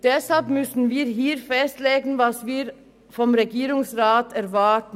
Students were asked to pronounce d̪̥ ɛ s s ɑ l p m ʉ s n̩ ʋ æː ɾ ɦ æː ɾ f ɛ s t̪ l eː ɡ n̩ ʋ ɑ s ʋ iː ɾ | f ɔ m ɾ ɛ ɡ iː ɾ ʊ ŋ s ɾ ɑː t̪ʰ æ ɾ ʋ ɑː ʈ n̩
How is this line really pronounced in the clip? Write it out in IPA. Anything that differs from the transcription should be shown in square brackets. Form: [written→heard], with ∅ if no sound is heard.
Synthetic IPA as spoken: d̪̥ ɛ s [s→h] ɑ l p m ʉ s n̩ ʋ [æː→iː] ɾ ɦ [æː→iː] ɾ f ɛ s t̪ l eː ɡ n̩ ʋ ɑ s ʋ iː ɾ | f ɔ m ɾ ɛ ɡ iː ɾ ʊ ŋ s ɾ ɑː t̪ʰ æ ɾ ʋ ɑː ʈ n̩